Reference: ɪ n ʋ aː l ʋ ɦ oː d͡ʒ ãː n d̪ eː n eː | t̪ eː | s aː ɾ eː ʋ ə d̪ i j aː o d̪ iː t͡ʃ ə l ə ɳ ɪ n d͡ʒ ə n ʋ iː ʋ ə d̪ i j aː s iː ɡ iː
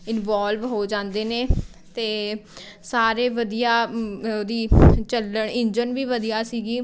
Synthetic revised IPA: ɪ n ʋ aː l ʋ ɦ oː d͡ʒ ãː n d̪ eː n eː | t̪ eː | s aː ɾ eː ʋ ə d̪ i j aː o d̪ iː t͡ʃ ə l ə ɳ ɪ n d͡ʒ ə n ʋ iː ʋ ə d̪ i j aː s iː ɡ iː